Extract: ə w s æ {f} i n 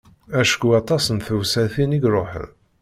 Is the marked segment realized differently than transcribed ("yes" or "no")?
yes